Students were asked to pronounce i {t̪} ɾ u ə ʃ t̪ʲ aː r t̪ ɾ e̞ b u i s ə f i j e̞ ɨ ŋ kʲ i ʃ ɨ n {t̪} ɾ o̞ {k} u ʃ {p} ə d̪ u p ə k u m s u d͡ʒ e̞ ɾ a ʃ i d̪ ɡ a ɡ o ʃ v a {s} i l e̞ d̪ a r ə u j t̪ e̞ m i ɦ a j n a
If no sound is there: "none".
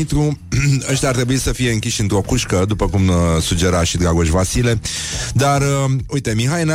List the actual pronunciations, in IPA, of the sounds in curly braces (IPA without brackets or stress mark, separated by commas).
t̪, t̪, k, k, s